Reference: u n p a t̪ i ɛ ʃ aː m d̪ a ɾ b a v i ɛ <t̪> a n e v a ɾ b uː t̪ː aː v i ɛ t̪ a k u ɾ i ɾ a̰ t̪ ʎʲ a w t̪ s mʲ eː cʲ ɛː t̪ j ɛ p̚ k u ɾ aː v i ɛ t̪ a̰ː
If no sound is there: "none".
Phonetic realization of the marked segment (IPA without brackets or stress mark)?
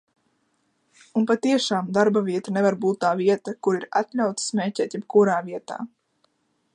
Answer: t̪